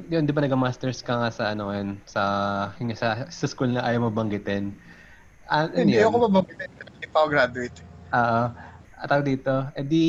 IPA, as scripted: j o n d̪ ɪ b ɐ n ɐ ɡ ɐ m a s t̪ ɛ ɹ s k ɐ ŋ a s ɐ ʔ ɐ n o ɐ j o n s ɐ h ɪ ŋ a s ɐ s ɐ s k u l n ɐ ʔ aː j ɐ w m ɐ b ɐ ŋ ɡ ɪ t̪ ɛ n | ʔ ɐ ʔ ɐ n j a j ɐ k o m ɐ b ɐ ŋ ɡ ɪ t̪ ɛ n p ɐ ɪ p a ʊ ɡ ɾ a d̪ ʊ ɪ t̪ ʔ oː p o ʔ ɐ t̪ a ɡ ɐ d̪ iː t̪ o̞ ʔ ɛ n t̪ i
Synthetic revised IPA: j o n d̪ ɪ b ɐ n ɐ ɡ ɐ m a s t̪ ɛ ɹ s k ɐ ŋ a s ɐ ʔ ɐ n o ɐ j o n s ɐ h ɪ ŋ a s ɐ s ɐ s k u l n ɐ ʔ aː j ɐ w m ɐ b ɐ ŋ ɡ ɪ t̪ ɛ n | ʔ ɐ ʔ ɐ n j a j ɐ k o m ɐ b ɐ ŋ ɡ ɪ t̪ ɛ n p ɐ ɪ p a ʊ ɡ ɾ a d̪ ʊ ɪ t̪ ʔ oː ʔ o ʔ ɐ t̪ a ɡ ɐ d̪ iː t̪ o̞ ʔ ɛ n d̪ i